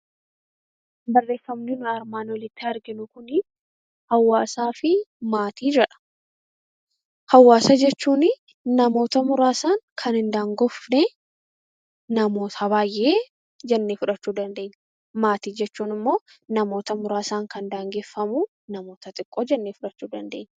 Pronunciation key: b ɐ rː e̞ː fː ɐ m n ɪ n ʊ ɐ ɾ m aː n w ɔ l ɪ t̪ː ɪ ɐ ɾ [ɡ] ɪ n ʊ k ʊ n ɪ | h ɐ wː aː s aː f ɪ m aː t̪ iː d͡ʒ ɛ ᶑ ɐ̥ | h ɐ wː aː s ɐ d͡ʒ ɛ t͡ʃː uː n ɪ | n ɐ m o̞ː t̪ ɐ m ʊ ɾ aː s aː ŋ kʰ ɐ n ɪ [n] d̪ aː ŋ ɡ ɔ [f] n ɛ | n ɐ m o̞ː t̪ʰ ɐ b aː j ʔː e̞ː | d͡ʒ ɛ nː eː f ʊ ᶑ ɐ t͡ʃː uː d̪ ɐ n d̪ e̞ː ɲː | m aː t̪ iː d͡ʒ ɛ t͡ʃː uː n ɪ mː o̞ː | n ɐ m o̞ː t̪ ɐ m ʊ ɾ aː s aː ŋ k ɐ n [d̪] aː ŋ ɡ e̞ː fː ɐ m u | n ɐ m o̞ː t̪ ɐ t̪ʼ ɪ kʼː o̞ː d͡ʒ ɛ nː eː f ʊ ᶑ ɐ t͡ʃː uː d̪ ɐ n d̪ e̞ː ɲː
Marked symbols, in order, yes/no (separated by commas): yes, yes, yes, yes